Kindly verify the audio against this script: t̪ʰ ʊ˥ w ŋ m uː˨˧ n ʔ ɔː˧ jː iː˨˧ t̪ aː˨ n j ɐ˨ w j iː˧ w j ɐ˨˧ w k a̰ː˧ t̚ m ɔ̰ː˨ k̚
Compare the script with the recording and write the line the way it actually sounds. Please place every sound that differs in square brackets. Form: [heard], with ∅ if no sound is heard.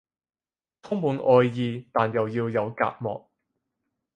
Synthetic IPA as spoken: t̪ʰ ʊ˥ [∅] ŋ m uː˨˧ n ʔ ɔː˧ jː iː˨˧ t̪ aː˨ n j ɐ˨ w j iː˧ w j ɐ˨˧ w k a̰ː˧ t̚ m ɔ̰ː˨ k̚